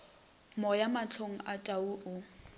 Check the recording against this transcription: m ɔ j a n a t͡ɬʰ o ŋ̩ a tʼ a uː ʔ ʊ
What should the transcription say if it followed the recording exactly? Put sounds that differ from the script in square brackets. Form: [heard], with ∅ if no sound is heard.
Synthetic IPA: m ɔ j a [m] a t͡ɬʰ o ŋ̩ a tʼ a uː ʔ ʊ